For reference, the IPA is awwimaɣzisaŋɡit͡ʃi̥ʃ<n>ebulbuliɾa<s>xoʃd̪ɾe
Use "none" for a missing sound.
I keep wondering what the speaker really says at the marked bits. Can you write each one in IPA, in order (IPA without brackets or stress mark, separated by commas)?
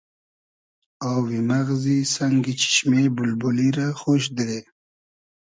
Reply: m, none